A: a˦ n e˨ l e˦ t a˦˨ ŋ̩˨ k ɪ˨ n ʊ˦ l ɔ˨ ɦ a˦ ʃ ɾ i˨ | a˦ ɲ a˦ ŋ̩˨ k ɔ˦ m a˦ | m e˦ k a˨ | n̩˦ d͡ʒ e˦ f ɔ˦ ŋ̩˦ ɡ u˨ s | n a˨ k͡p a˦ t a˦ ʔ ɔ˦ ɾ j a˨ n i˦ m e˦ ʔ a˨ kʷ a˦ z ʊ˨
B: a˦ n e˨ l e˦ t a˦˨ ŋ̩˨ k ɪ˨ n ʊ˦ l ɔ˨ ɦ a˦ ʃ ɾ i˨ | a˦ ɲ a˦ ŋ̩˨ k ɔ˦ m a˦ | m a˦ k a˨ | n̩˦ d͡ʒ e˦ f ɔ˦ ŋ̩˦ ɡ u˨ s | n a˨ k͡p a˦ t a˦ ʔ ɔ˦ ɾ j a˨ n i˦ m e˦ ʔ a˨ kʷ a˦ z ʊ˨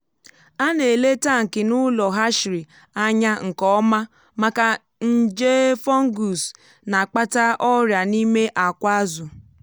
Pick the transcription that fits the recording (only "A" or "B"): B